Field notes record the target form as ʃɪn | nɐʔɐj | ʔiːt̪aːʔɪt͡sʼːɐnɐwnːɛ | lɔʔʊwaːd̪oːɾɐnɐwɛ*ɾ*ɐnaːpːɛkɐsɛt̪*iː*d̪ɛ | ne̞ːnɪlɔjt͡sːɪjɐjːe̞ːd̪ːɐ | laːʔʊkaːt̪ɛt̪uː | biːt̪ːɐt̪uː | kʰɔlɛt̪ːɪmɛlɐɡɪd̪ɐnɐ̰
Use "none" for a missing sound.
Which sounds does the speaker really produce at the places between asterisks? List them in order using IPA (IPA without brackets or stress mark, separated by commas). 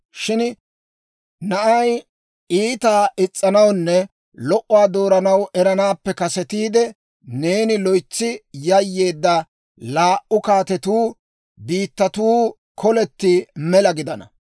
ɾ, iː